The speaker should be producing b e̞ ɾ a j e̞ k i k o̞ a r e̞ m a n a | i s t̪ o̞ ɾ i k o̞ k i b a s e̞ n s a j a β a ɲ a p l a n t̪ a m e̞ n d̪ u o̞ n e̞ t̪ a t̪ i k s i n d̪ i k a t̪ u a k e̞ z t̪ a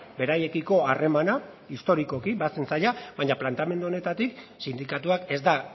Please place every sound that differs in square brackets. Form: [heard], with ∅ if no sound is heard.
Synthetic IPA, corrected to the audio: b e̞ ɾ a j e̞ k i k o̞ a r e̞ m a n a | i s t̪ o̞ ɾ i k o̞ k i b a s e̞ n s a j a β a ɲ a p l a n t̪ a m e̞ n d̪ u o̞ n e̞ t̪ a t̪ i k s i n d̪ i k a t̪ u a k e̞ z [d̪] a

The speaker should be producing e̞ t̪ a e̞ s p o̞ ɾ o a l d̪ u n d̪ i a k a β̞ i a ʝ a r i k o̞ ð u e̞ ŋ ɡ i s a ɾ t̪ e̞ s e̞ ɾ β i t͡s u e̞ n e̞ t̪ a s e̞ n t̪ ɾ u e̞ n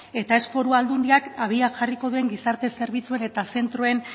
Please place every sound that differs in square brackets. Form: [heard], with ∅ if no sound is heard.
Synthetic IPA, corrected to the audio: e̞ t̪ a e̞ s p o̞ ɾ [u] a l d̪ u n d̪ i a k a β̞ i a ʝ a r i k o̞ ð u e̞ ŋ ɡ i s a ɾ t̪ e̞ s e̞ ɾ β i t͡s u e̞ n e̞ t̪ a s e̞ n t̪ ɾ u e̞ n

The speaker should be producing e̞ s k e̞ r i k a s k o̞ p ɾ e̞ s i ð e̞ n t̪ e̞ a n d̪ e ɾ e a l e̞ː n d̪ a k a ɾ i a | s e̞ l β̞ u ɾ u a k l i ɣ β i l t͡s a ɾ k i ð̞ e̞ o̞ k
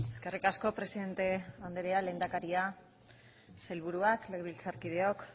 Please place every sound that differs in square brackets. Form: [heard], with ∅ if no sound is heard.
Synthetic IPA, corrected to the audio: e̞ s k e̞ r i k a s k o̞ p ɾ e̞ s i ð e̞ n t̪ e̞ a n d̪ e ɾ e a l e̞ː n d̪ a k a ɾ i a | s e̞ l β̞ u ɾ u a k l [e] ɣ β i l t͡s a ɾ k i ð̞ e̞ o̞ k

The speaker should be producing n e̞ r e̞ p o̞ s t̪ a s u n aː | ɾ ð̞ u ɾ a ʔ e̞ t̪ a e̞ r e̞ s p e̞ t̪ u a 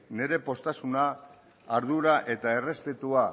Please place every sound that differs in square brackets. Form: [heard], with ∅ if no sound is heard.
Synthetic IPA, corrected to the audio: n e̞ [ɾ] e̞ p o̞ s t̪ a s u n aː | ɾ ð̞ u ɾ a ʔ e̞ t̪ a e̞ r e̞ s p e̞ t̪ u a

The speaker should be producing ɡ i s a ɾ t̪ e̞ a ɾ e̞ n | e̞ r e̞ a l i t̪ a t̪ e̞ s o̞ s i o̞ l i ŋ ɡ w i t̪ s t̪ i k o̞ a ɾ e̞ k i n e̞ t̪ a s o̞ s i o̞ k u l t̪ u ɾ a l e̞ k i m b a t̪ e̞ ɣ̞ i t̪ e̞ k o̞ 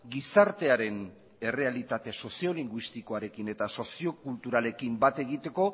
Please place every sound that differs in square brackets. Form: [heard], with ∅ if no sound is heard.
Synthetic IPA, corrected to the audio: ɡ i s a ɾ t̪ e̞ a ɾ e̞ n | e̞ r e̞ a l i t̪ a t̪ e̞ s o̞ s i o̞ l i ŋ ɡ w i [∅] s t̪ i k o̞ a ɾ e̞ k i n e̞ t̪ a s o̞ s i o̞ k u l t̪ u ɾ a l e̞ k i m b a t̪ e̞ ɣ̞ i t̪ e̞ k o̞

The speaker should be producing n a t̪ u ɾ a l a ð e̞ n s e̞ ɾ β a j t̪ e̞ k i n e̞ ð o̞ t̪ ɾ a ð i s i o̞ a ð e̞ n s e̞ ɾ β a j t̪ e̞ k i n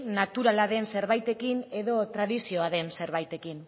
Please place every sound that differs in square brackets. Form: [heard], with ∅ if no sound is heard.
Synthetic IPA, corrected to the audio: n a t̪ u ɾ a l a ð e̞ n s e̞ ɾ β a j t̪ e̞ k i n e̞ ð o̞ t̪ ɾ a ð i s i o̞ a ð e̞ n s e̞ ɾ β a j t̪ e̞ k i n

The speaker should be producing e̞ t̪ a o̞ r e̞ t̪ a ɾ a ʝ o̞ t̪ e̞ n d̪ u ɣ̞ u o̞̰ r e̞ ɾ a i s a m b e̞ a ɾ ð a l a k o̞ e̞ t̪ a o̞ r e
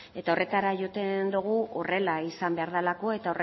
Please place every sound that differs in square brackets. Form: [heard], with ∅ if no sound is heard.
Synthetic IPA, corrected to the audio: e̞ t̪ a o̞ r e̞ t̪ a ɾ a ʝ o̞ t̪ e̞ n d̪ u ɣ̞ u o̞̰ r e̞ [l] a i s a m b e̞ a ɾ ð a l a k o̞ e̞ t̪ a o̞ r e

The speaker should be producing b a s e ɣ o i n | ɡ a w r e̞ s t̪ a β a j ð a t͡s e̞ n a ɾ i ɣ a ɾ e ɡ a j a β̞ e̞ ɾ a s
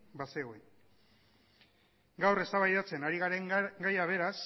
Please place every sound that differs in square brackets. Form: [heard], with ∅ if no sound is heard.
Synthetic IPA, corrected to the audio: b a s e ɣ o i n | ɡ a w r e̞ s t̪ a β a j ð a t͡s e̞ n a ɾ i ɣ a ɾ e ɡ a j a β̞ e̞ ɾ a s

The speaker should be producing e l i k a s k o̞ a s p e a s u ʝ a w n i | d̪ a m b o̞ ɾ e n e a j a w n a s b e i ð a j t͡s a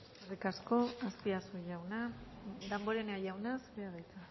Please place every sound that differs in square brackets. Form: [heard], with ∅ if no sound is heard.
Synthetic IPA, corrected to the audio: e [r] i k a s k o̞ a s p [i] a s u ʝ a w n [a] | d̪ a m b o̞ ɾ e n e a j a w n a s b e [a] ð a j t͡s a

